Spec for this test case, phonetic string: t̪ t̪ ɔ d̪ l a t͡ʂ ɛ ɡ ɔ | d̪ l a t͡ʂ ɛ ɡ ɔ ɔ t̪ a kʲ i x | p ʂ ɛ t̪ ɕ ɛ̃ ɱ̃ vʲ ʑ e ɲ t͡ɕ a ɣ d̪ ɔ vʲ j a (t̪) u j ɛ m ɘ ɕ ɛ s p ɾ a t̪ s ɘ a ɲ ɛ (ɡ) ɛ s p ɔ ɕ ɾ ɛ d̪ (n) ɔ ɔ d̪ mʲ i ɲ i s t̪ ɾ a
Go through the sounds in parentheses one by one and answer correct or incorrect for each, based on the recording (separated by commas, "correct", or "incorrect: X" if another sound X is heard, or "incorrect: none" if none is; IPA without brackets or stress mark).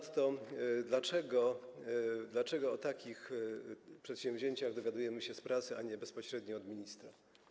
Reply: incorrect: d̪, incorrect: b, incorrect: ɲ